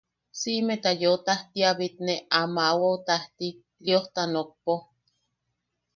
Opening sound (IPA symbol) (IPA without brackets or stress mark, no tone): s